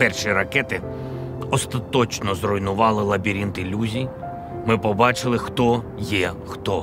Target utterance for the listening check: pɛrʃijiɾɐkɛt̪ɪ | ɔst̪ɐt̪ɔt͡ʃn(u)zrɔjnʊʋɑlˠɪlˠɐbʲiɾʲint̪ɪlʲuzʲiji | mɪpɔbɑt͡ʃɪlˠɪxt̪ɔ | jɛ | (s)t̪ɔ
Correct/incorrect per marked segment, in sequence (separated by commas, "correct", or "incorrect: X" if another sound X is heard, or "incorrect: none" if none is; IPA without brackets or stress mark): incorrect: ɔ, incorrect: x